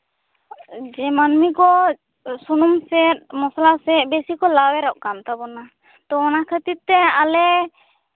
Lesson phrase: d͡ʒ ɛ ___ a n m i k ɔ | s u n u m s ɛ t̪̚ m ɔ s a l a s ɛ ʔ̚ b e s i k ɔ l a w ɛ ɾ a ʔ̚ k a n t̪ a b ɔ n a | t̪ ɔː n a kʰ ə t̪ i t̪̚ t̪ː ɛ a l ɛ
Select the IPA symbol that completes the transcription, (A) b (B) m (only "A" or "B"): B